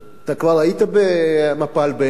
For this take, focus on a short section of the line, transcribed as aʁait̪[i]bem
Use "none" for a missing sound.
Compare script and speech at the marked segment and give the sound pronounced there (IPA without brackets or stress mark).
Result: a